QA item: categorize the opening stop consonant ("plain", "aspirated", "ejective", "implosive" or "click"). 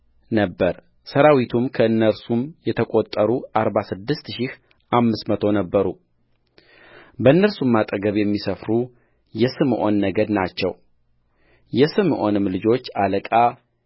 plain